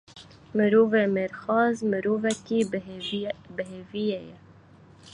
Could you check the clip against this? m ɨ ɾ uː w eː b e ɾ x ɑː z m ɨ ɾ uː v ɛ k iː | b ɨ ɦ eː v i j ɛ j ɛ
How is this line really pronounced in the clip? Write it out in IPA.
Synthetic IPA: m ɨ ɾ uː v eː m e ɾ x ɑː z m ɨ ɾ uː v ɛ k iː | b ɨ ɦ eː v i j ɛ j ɛ